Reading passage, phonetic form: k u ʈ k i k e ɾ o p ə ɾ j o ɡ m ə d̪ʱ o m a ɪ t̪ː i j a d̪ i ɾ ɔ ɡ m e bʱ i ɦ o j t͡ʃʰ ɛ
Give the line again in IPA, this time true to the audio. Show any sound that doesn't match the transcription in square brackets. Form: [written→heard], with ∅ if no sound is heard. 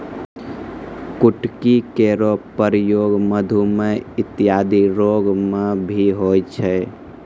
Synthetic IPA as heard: k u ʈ k i k e ɾ o p ə ɾ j o ɡ m ə d̪ʱ [o→u] m [a→e] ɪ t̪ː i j a d̪ i ɾ [ɔ→o] ɡ m e bʱ i ɦ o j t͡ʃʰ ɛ